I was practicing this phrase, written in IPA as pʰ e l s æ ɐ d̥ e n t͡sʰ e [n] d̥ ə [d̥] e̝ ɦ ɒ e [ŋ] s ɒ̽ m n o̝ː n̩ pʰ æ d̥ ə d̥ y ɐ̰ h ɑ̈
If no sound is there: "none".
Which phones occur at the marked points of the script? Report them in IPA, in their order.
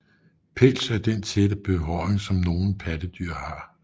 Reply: none, b̥, ŋ

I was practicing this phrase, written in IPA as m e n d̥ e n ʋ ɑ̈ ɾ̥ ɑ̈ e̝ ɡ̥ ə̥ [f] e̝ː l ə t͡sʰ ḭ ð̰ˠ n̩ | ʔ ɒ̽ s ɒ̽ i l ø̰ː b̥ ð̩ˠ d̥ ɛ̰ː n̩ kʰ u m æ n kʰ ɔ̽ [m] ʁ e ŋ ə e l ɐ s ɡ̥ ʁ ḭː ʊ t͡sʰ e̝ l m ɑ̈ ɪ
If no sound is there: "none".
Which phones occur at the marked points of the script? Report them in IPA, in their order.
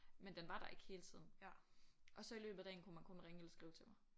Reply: h, n

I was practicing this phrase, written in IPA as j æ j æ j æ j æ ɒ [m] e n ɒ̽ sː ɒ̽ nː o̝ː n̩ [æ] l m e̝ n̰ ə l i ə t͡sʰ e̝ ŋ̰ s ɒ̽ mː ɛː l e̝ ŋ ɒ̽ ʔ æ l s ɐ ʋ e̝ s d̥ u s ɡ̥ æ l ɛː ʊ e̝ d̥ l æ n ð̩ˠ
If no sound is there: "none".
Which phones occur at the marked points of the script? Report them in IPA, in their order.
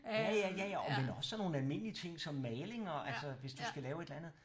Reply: m, æ

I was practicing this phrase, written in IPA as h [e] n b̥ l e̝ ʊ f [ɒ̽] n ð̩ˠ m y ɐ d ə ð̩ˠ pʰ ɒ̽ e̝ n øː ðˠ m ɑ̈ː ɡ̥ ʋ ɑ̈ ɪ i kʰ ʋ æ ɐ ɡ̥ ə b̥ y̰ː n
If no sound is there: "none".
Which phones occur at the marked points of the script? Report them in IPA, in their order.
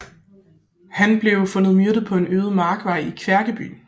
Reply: æ, ɔ̽

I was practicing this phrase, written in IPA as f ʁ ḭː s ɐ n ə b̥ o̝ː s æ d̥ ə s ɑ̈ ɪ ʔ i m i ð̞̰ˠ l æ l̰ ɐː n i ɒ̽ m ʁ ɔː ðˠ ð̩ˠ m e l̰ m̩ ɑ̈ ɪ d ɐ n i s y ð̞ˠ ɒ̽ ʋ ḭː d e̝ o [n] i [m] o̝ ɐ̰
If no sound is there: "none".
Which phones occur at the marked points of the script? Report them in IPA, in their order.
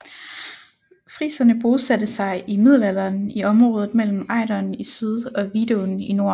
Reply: n, n

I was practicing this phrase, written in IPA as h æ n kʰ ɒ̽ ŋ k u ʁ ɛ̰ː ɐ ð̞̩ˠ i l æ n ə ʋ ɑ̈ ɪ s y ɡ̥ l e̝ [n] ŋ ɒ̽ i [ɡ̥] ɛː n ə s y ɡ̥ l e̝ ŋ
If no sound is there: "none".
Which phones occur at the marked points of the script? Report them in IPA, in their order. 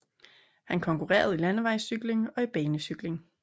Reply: none, b̥

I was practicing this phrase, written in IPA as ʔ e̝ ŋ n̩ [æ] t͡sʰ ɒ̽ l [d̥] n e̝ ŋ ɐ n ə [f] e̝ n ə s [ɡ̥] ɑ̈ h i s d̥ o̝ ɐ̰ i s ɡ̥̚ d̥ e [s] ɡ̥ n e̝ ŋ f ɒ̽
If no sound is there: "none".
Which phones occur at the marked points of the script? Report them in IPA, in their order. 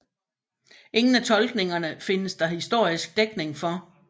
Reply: æ, ɡ̥, f, d̥, none

